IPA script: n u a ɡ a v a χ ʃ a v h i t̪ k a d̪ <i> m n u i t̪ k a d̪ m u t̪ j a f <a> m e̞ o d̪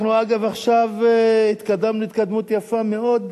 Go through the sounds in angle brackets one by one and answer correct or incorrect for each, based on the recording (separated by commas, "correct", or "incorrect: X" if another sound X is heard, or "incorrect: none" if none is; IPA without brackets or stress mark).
incorrect: a, correct